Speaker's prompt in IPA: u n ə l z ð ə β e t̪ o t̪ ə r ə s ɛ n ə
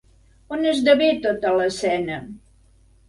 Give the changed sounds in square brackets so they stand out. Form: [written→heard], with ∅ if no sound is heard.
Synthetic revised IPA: [u→o] n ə [l→∅] z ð ə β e t̪ o t̪ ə [r→l] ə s ɛ n ə